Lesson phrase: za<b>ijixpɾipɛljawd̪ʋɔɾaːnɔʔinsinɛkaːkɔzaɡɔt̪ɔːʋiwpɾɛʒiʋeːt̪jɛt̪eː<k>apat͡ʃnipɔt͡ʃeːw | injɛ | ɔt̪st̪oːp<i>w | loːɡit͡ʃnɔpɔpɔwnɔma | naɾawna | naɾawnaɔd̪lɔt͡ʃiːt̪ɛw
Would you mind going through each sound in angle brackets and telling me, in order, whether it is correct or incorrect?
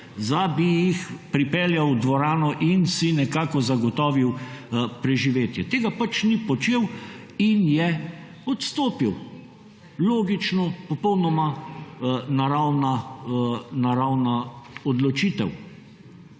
correct, incorrect: ɡ, correct

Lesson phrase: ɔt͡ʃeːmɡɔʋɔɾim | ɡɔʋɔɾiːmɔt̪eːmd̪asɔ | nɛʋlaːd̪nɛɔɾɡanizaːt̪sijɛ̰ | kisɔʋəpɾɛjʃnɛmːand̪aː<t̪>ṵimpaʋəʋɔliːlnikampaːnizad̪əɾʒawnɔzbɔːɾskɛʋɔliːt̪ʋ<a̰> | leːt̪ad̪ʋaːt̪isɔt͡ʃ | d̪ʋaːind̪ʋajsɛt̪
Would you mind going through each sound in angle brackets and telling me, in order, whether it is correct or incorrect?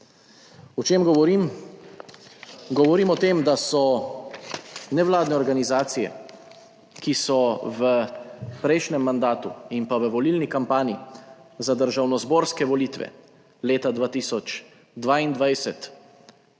correct, incorrect: ɛ̰

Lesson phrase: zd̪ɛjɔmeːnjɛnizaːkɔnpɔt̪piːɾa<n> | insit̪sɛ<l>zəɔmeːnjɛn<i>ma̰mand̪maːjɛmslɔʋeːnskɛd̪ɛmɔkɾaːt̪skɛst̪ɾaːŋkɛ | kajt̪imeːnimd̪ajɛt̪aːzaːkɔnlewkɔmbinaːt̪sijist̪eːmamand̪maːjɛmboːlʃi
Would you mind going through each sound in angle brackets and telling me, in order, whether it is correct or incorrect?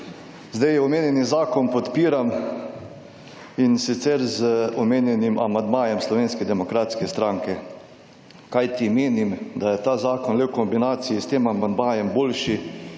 incorrect: m, incorrect: ɾ, correct

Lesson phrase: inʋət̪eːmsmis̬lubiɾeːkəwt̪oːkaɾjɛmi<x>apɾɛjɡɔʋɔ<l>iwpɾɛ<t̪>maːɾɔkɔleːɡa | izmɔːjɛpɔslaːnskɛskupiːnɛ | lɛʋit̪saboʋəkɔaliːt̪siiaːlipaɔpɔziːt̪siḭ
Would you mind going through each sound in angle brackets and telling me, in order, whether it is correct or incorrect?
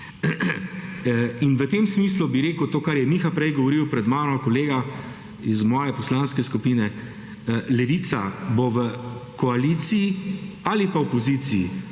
correct, incorrect: ɾ, incorrect: d̪

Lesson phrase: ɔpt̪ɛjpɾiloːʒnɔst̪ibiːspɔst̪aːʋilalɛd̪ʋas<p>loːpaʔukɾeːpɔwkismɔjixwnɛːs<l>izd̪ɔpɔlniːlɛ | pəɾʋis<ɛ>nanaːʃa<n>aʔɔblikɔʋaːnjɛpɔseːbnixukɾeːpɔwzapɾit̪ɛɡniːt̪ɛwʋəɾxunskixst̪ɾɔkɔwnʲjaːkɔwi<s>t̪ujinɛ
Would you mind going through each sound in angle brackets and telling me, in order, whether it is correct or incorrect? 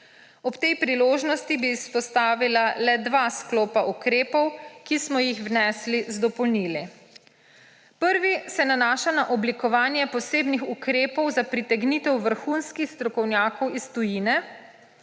incorrect: k, correct, correct, correct, correct

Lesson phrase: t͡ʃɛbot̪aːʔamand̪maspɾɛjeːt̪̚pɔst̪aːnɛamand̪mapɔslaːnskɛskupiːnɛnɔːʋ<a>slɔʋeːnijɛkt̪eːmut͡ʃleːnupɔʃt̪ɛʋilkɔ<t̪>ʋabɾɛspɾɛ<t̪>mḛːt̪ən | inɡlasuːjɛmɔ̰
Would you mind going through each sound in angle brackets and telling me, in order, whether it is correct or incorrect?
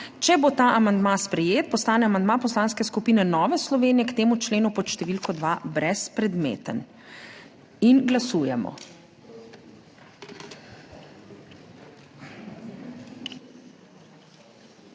incorrect: ɛ, incorrect: d̪, incorrect: d̪

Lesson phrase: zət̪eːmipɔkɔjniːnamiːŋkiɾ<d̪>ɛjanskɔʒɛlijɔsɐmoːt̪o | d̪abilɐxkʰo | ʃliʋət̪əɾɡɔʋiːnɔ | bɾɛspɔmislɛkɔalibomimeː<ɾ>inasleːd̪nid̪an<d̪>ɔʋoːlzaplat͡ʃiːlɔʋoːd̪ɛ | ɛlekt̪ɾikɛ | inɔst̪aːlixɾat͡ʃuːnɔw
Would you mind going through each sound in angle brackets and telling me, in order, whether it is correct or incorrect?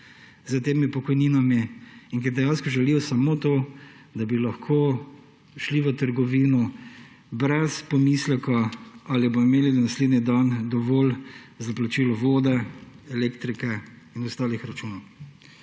correct, incorrect: l, correct

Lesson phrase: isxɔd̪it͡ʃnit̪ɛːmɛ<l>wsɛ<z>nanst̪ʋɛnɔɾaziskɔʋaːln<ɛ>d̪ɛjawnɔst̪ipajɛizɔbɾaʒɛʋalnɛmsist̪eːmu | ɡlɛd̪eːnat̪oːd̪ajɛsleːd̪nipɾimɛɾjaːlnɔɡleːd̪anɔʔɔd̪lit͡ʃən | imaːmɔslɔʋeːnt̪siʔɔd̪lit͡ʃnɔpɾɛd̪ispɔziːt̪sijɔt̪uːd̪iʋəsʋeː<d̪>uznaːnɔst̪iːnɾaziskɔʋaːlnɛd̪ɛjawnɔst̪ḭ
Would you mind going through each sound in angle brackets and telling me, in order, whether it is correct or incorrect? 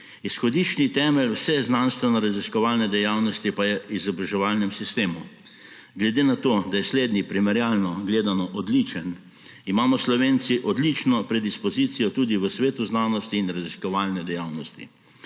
correct, correct, correct, incorrect: t̪

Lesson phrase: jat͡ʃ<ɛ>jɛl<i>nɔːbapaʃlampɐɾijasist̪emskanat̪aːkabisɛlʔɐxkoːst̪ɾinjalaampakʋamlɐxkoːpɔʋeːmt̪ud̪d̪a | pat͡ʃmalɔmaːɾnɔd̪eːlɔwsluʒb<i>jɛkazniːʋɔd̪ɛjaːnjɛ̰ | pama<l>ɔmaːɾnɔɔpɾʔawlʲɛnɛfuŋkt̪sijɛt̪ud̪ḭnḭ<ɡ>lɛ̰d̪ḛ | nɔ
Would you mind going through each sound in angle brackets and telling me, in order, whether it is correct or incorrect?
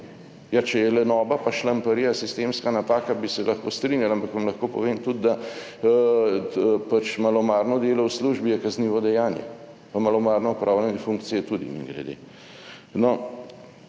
correct, incorrect: ɛ, correct, correct, correct

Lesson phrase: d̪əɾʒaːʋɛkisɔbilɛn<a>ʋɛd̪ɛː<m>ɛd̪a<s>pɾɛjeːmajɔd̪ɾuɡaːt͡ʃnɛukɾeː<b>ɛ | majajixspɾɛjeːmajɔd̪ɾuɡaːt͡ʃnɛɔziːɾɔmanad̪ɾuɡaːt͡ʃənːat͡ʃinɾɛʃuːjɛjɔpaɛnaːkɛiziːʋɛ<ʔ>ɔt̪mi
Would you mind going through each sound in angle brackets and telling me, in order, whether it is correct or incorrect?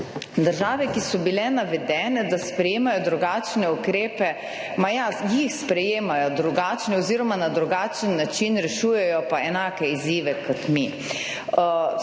correct, incorrect: n, correct, incorrect: p, incorrect: k

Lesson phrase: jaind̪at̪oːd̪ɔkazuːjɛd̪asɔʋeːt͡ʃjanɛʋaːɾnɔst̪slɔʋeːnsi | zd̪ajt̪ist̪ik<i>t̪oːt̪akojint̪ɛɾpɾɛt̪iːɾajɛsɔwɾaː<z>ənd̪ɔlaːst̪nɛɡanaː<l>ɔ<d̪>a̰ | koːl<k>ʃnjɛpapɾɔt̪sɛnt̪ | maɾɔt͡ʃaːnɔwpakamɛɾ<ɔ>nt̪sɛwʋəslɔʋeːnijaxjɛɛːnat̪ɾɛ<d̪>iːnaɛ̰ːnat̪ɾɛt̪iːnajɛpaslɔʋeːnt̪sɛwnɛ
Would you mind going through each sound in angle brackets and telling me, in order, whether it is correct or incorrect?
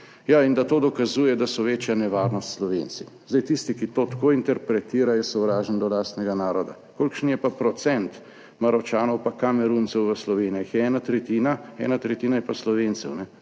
correct, incorrect: ʒ, incorrect: ɾ, correct, correct, incorrect: u, incorrect: t̪

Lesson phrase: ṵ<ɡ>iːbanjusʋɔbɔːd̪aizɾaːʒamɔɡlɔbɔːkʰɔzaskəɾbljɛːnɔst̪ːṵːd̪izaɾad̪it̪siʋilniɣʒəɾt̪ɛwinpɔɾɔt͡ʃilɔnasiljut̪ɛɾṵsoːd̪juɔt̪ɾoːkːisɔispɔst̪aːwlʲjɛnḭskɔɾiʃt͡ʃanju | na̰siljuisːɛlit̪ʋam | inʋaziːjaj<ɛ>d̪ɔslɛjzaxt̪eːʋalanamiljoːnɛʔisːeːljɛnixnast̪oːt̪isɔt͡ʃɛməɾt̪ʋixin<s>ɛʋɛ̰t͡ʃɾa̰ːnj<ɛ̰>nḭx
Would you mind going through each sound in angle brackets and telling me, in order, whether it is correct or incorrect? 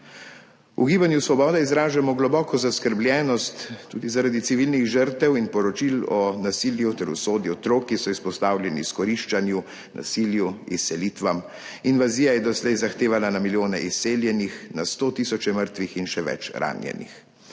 correct, correct, incorrect: ʃ, correct

